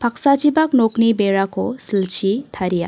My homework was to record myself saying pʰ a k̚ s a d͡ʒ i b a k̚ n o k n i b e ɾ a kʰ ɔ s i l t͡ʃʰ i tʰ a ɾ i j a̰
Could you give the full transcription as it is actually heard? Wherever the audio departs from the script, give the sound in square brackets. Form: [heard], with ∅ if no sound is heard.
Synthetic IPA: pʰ a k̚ s a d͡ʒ i b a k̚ n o k n i b e ɾ a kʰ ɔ s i l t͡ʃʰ i tʰ a ɾ i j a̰